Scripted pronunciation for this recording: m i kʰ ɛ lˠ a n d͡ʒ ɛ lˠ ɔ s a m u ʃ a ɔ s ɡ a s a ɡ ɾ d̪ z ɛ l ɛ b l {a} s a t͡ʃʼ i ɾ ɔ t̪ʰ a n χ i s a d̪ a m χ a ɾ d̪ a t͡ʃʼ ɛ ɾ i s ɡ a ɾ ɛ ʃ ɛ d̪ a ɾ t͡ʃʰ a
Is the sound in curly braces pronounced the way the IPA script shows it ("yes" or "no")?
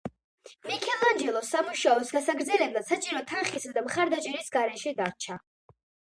yes